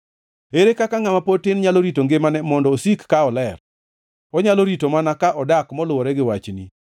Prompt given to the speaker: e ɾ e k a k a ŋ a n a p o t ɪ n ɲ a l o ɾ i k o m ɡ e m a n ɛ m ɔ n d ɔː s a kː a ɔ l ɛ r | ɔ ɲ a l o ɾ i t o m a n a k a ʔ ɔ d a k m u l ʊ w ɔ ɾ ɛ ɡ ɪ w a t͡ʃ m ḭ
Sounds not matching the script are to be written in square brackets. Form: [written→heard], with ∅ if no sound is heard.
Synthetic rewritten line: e ɾ e k a k a ŋ a [n→m] a p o t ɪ n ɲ a l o ɾ i [k→t] o [m→ŋ] ɡ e m a n ɛ m ɔ n d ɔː s [a→i] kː a ɔ l ɛ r | ɔ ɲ a l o ɾ i t o m a n a k a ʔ ɔ d a k m [u→ɔ] l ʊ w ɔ ɾ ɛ ɡ ɪ w a t͡ʃ [m→n] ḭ